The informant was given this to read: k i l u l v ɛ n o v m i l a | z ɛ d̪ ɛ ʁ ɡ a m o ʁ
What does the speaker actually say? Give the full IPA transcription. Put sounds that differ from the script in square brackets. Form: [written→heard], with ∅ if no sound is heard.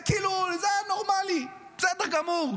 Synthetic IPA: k i l u l [v→z] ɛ n o [v→ʁ] m [i→a] l [a→i] | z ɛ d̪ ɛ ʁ ɡ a m [o→u] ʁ